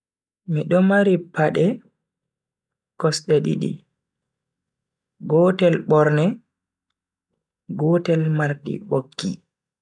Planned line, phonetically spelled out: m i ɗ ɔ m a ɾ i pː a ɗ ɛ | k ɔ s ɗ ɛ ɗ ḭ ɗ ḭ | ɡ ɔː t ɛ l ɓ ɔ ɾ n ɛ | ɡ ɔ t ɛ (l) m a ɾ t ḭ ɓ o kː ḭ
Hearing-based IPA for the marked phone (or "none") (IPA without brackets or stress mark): l